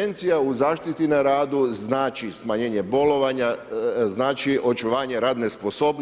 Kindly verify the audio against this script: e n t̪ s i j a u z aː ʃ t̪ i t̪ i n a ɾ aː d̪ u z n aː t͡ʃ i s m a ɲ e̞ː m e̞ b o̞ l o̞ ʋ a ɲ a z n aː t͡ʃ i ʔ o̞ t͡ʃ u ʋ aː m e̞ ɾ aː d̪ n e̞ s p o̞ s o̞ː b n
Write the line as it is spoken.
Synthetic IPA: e n t̪ s i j a u z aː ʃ t̪ i t̪ i n a ɾ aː d̪ u z n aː t͡ʃ i s m a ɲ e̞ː ɲ e̞ b o̞ l o̞ ʋ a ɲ a z n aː t͡ʃ i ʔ o̞ t͡ʃ u ʋ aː ɲ e̞ ɾ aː d̪ n e̞ s p o̞ s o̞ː b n